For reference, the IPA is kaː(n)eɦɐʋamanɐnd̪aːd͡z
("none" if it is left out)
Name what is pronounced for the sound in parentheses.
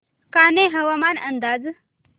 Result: n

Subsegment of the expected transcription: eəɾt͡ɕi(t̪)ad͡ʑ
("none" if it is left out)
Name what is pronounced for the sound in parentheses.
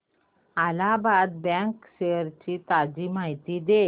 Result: t̪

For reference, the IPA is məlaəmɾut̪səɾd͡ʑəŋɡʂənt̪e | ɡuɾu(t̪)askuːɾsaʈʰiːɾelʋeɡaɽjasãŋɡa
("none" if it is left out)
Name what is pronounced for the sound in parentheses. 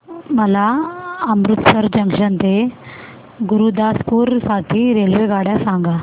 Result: d̪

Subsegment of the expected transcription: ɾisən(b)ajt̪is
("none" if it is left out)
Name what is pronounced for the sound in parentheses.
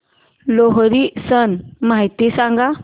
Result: m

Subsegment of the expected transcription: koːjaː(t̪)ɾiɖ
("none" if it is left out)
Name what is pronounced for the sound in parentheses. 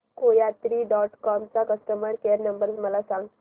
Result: t̪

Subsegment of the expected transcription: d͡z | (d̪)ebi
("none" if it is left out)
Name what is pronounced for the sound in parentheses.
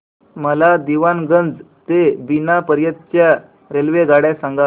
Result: t̪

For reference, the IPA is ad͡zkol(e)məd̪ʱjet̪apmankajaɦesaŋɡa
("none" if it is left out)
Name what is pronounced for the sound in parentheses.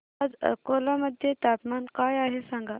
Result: a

